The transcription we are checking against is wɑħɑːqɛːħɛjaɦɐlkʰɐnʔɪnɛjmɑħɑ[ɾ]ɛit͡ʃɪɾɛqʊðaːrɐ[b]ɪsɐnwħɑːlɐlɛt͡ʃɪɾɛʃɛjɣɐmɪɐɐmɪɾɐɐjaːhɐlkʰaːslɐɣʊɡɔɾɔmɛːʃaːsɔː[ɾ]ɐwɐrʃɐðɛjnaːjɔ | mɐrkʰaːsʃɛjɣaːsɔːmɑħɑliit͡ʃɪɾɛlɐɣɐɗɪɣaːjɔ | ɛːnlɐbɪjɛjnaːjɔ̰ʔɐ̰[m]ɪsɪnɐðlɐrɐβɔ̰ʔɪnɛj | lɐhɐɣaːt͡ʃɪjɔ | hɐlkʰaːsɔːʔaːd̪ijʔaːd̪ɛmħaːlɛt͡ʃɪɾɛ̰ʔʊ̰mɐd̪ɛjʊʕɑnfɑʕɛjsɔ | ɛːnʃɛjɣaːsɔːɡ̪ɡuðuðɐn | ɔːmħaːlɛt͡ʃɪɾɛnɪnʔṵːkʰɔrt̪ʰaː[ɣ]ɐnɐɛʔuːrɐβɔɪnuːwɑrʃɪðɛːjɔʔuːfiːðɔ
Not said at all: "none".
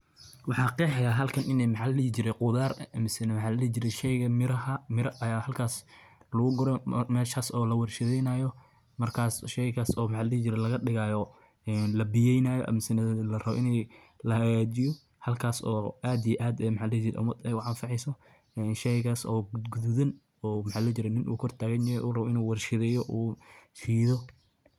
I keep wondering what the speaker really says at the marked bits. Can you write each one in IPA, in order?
l, m, l, m, ɣ

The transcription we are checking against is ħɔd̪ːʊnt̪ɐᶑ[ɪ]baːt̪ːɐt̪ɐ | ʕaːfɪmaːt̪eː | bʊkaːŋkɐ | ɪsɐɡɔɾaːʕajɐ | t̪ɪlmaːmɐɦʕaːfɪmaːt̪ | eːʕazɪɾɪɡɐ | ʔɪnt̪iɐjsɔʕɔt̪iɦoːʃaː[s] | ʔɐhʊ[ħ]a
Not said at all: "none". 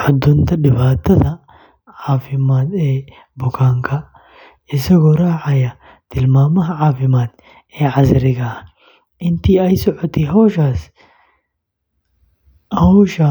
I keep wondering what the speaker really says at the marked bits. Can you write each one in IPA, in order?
ɪ, s, ʃ

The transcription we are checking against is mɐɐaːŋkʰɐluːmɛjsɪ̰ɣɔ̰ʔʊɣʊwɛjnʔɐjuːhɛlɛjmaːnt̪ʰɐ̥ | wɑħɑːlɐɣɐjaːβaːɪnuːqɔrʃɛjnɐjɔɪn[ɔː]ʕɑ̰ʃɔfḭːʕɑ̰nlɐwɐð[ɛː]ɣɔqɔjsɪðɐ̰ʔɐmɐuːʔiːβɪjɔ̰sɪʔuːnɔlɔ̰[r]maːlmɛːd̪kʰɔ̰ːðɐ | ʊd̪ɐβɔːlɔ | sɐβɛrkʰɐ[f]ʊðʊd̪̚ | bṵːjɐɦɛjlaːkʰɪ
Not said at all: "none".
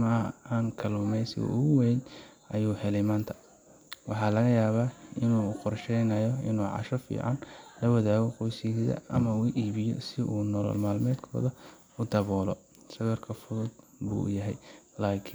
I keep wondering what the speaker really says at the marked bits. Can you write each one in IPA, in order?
uː, aː, l, f

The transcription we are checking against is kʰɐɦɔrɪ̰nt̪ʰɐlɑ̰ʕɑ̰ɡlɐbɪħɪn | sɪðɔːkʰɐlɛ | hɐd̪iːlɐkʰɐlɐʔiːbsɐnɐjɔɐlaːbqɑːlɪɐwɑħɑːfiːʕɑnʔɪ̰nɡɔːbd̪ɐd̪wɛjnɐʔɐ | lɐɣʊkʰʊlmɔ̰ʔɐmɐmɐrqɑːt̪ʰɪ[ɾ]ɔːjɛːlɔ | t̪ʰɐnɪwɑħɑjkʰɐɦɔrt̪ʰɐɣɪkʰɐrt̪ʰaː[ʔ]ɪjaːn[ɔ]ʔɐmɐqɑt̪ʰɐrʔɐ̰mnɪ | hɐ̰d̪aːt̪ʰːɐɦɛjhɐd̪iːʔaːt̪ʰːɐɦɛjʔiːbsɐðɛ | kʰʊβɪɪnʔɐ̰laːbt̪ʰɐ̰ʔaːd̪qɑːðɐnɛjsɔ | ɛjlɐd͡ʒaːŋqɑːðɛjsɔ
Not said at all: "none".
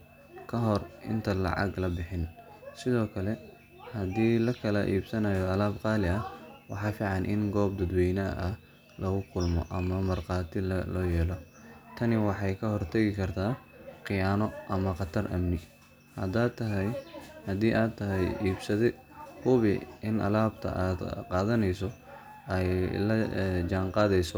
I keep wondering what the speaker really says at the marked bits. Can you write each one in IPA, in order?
l, q, ɔ

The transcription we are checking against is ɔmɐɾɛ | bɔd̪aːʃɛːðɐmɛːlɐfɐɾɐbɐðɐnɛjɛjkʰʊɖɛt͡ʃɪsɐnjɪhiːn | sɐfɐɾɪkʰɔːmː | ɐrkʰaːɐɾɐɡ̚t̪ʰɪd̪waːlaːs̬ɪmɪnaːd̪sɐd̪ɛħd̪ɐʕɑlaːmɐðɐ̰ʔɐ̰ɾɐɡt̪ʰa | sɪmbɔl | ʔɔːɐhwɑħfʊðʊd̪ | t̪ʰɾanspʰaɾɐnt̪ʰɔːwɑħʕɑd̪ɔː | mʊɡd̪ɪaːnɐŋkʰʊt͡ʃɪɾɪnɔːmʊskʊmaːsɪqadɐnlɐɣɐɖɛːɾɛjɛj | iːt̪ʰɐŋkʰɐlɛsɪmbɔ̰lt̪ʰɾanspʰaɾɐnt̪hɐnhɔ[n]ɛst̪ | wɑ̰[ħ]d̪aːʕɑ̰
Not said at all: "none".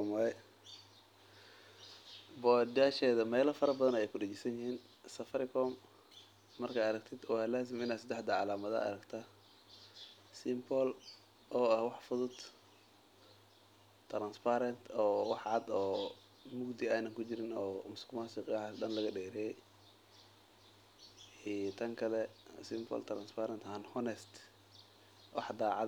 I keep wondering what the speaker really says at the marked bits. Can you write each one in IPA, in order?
n, ħ

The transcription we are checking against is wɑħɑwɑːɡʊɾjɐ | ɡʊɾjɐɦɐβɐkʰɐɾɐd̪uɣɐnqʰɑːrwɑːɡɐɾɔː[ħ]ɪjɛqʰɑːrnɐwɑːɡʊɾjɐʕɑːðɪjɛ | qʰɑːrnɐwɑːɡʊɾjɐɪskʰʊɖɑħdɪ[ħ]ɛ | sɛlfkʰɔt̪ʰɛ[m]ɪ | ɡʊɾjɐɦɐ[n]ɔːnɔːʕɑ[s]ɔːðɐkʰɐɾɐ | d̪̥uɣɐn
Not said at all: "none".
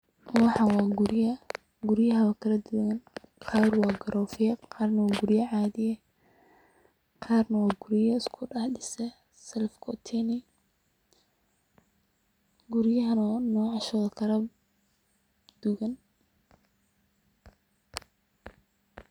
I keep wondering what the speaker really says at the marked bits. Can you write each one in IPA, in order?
f, s, n, n, ʃ

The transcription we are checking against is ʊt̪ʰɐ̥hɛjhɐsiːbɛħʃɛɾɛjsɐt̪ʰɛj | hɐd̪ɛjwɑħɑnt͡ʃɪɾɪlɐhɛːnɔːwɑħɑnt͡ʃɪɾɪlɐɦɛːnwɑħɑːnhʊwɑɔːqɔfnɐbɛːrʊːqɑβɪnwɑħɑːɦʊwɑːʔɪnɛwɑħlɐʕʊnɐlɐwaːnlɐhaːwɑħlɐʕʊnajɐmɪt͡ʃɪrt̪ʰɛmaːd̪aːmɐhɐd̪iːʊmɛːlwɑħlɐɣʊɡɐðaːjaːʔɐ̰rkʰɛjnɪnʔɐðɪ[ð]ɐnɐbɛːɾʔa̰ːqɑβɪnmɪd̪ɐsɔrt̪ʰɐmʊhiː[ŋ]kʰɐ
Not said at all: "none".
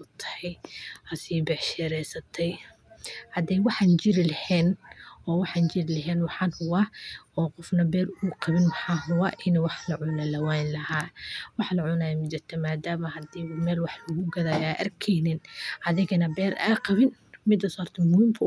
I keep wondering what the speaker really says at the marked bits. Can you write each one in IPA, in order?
ɣ, m

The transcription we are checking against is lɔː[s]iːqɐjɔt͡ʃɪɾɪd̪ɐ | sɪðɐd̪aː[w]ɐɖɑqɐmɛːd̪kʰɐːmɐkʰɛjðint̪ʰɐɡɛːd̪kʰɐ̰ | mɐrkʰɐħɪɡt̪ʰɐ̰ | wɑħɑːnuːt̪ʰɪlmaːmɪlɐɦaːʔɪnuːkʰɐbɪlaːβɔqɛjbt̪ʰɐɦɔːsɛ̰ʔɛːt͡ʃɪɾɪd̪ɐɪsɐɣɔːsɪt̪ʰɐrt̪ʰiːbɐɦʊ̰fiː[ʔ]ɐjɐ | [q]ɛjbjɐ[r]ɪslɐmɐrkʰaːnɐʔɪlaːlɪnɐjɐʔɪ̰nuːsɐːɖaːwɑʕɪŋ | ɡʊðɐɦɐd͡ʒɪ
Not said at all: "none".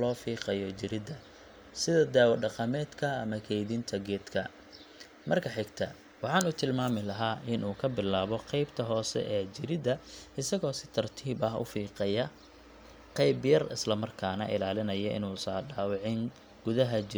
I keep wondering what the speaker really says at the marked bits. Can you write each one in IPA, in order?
f, w, q, q, r

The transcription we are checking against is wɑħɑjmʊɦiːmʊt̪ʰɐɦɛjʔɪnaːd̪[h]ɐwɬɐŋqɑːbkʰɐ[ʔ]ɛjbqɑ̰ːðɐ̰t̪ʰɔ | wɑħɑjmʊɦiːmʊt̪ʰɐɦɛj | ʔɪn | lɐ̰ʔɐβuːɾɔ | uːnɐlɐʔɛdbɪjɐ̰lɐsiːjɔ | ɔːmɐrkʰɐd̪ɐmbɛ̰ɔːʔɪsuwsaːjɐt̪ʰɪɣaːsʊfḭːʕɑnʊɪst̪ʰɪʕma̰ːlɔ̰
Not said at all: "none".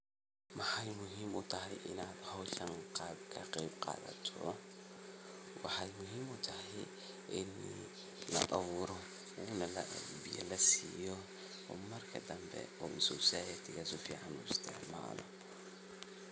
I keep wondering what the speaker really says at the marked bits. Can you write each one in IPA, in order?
h, q

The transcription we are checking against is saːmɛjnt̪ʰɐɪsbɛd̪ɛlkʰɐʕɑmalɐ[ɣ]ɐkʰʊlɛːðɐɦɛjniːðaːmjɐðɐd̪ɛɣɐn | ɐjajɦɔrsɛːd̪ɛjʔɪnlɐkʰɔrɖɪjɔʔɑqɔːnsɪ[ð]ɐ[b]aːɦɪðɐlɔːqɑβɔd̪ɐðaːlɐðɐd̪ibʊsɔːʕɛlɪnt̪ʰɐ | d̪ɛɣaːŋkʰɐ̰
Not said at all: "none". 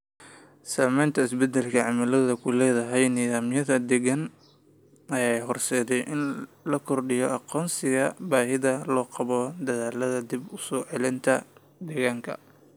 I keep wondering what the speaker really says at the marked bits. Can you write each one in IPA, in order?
ð, ɣ, b

